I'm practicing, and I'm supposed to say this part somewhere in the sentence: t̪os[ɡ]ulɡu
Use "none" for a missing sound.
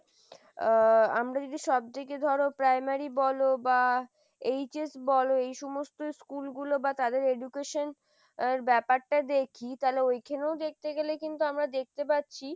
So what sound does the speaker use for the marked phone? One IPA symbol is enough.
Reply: k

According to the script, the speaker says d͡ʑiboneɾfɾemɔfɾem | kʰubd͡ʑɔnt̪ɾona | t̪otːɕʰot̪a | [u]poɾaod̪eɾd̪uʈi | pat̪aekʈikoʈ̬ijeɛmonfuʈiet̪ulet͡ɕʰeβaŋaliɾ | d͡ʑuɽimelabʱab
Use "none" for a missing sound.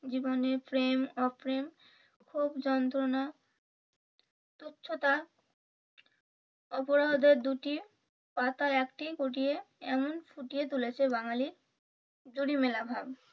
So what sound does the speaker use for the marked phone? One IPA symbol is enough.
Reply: ɔ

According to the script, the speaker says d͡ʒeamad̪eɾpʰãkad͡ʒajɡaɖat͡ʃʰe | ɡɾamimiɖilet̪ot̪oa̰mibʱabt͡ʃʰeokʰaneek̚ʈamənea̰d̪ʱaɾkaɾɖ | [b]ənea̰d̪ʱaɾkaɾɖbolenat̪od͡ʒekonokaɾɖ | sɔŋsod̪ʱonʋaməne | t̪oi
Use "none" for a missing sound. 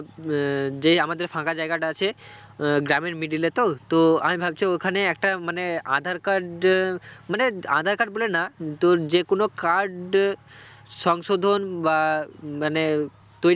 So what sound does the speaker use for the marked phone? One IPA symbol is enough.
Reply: m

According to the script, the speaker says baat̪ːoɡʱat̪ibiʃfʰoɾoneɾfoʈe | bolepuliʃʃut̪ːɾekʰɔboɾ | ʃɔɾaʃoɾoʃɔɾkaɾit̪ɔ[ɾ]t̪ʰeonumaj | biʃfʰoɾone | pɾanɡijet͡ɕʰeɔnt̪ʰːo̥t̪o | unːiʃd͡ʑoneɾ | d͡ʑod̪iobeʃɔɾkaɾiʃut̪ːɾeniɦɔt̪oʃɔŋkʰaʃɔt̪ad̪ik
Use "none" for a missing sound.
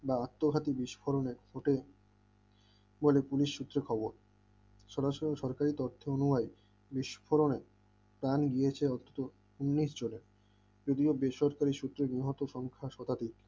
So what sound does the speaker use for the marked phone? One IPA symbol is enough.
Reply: ɾ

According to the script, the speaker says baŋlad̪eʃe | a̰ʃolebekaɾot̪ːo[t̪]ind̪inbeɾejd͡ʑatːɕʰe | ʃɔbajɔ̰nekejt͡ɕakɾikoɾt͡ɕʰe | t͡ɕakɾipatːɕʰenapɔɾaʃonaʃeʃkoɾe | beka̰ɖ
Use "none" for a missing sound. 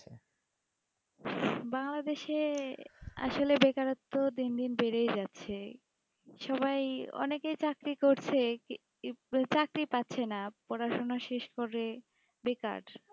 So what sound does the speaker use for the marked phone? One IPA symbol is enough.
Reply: d̪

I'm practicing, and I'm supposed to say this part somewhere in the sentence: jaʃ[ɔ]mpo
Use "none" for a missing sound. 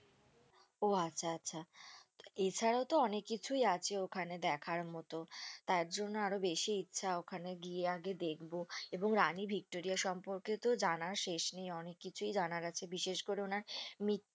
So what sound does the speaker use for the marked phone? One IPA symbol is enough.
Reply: ɔ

